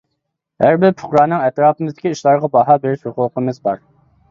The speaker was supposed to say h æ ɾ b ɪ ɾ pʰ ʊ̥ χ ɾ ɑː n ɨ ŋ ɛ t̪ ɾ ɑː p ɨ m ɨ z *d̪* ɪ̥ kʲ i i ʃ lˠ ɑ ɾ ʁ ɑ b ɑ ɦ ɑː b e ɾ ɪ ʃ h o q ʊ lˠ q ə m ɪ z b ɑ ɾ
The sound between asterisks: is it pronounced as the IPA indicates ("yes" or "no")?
yes